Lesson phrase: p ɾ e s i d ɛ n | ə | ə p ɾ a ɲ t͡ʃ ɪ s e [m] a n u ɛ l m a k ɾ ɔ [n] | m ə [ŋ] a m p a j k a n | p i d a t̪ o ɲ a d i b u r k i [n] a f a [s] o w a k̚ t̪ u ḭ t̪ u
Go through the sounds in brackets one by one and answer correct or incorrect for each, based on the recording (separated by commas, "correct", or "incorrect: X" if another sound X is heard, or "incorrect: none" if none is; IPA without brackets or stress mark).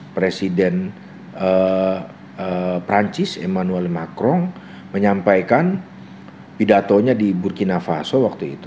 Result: correct, incorrect: ŋ, incorrect: ɲ, correct, correct